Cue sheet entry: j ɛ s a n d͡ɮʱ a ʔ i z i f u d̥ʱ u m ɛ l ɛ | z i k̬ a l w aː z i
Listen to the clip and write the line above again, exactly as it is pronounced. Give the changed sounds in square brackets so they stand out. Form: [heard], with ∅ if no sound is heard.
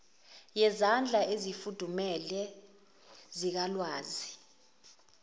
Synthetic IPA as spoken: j ɛ [z] a n d͡ɮʱ a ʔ [e] z i f u d̥ʱ u m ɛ l ɛ | z i k̬ a l w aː z i